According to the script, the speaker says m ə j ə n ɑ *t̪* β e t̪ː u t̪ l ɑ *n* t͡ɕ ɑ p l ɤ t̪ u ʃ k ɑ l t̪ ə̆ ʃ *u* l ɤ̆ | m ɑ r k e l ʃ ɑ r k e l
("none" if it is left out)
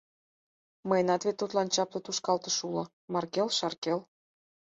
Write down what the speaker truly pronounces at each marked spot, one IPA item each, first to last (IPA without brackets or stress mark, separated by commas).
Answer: t̪, n, u